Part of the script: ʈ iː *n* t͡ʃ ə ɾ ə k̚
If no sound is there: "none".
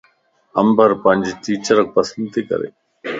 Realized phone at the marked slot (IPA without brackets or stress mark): none